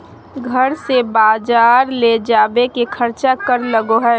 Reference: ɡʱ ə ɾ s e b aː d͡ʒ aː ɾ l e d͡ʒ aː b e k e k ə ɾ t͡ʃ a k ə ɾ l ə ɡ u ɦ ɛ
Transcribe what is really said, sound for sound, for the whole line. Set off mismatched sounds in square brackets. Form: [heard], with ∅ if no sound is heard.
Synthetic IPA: ɡʱ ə ɾ s e b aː d͡ʒ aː ɾ l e d͡ʒ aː b e k e [kʰ] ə ɾ t͡ʃ a k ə ɾ l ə ɡ [o] ɦ ɛ